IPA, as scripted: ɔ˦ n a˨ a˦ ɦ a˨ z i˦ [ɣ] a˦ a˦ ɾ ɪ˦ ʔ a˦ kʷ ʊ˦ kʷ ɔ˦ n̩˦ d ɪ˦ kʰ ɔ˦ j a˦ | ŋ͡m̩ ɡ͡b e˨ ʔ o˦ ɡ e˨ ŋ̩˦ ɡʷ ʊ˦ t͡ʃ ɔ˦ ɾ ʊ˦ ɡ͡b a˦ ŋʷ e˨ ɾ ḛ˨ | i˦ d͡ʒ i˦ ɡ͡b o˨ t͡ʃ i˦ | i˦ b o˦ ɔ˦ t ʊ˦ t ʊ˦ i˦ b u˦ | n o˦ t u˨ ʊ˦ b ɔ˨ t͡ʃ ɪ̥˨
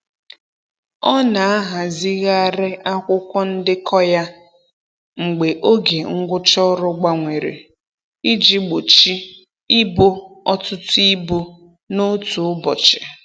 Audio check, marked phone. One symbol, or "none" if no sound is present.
ɣ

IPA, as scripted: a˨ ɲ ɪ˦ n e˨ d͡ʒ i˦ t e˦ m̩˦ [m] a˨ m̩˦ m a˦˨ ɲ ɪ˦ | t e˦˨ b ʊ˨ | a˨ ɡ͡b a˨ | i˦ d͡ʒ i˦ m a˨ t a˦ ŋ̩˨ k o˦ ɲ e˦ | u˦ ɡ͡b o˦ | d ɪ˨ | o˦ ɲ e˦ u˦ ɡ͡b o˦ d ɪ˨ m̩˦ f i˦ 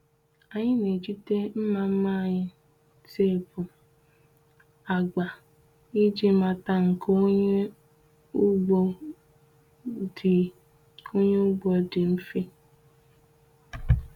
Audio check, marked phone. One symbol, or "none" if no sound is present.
m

